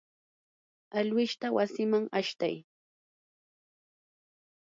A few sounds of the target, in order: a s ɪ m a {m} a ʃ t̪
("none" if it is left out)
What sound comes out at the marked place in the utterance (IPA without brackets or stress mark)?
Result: ŋ